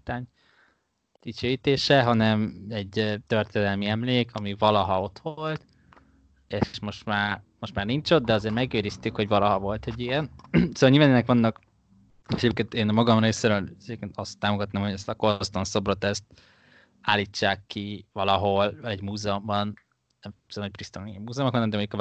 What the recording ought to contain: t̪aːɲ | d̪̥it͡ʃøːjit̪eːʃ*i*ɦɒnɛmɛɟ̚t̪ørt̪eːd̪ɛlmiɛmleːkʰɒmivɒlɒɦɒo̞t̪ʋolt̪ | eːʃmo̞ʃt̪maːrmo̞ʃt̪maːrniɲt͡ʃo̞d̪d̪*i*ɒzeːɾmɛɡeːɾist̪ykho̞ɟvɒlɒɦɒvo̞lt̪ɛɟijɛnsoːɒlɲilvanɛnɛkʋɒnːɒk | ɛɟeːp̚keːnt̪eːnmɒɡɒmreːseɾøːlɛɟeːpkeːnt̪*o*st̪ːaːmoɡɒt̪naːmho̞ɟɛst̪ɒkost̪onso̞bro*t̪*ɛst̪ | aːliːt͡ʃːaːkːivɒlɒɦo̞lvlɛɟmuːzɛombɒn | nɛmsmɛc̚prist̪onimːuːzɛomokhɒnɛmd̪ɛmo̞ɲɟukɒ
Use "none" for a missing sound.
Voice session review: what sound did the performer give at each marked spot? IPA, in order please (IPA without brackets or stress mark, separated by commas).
ɛ, ɛ, ɒ, t̪